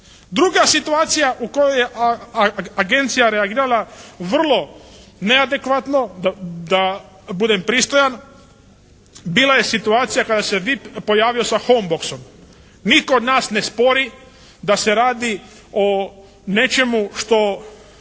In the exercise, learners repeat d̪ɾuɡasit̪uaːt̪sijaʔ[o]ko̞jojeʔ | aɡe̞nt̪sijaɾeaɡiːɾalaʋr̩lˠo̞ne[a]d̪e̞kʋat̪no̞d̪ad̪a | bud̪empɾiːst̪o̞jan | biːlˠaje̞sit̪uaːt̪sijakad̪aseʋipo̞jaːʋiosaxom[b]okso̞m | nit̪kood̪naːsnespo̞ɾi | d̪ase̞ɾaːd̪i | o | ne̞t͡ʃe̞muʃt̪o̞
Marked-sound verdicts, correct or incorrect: incorrect: u, correct, correct

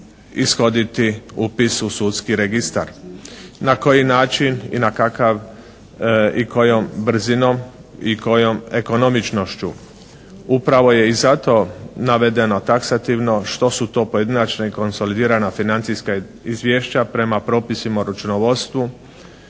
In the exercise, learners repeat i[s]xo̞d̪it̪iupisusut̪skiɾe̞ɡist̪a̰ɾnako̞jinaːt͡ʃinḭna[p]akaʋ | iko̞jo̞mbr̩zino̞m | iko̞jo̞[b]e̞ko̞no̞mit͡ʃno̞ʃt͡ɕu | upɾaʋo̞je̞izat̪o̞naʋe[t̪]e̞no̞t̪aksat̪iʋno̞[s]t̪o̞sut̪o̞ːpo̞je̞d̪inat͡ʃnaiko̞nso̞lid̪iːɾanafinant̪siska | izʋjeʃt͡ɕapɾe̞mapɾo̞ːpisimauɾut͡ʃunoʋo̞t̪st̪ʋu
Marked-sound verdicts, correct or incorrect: correct, incorrect: k, incorrect: m, incorrect: d̪, incorrect: ʃ

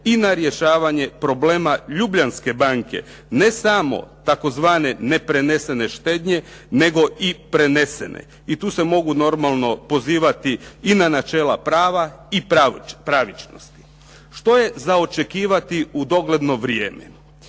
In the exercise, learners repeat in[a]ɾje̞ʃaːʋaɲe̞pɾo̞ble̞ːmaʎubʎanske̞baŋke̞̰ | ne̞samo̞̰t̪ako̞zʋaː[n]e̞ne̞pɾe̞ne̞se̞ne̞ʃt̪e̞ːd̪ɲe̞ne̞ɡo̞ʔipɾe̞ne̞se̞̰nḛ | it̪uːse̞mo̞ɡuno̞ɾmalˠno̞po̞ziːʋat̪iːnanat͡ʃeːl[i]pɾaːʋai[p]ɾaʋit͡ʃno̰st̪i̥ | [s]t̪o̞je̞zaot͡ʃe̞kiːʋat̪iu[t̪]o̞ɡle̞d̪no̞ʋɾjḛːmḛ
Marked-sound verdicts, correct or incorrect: correct, correct, incorrect: a, correct, incorrect: ʃ, incorrect: d̪

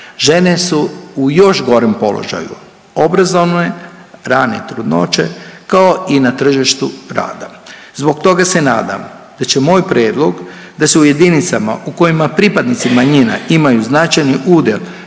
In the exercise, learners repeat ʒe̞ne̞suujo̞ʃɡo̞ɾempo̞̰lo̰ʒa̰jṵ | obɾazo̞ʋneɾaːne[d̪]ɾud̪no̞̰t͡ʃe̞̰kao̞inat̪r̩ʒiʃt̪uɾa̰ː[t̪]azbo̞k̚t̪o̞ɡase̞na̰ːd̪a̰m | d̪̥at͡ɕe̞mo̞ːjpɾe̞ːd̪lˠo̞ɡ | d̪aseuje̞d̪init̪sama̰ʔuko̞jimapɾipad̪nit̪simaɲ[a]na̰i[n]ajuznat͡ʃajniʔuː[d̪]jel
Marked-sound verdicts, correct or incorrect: incorrect: t̪, incorrect: d̪, incorrect: i, incorrect: m, correct

